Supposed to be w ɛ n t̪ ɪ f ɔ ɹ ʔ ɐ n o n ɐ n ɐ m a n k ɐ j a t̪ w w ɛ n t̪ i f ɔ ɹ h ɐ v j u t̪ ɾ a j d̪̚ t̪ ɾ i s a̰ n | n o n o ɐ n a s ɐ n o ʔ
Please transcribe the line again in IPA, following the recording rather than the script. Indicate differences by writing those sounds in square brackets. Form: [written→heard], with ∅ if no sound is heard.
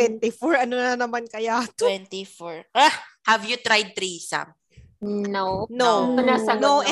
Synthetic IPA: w ɛ n t̪ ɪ f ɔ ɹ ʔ ɐ n o n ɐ n ɐ m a n k ɐ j a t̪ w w ɛ n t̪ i f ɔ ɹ h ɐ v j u t̪ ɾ a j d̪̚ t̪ ɾ i s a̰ [n→m] | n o n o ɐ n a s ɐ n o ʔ